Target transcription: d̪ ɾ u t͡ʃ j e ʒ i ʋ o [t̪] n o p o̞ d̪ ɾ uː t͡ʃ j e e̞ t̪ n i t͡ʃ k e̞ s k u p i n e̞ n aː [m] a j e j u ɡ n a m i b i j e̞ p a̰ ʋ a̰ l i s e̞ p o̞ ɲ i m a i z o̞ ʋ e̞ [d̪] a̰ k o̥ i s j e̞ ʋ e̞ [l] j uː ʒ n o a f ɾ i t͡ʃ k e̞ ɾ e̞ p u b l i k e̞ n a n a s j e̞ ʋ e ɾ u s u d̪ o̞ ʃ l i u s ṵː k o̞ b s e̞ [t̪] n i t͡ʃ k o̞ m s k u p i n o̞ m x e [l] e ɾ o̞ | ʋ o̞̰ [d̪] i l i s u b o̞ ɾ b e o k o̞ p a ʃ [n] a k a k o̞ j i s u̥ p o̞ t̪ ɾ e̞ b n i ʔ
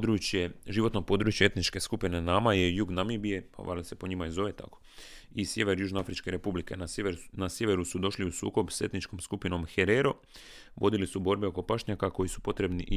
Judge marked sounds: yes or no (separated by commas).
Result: yes, yes, no, no, yes, no, yes, no